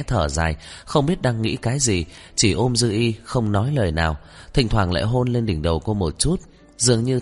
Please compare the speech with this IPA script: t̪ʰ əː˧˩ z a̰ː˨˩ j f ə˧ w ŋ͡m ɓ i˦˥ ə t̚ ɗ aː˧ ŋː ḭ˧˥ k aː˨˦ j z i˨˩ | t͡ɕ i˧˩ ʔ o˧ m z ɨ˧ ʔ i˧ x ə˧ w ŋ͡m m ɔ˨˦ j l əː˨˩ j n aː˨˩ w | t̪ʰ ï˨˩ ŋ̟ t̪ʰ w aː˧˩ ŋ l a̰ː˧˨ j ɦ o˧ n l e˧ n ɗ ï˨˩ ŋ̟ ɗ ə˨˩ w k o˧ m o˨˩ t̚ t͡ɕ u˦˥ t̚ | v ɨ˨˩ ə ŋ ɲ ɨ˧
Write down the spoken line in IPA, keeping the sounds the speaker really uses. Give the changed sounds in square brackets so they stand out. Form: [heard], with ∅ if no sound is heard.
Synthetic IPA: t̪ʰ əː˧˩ z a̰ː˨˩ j [x] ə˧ w ŋ͡m ɓ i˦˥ ə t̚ ɗ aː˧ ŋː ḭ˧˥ k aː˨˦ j z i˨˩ | t͡ɕ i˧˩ ʔ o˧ m z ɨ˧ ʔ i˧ x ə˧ w ŋ͡m [n] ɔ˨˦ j l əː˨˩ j n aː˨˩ w | t̪ʰ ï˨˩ ŋ̟ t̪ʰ w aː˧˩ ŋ l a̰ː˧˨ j ɦ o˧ n l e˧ n ɗ ï˨˩ ŋ̟ ɗ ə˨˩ w k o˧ m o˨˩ t̚ t͡ɕ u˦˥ t̚ | [z] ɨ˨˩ ə ŋ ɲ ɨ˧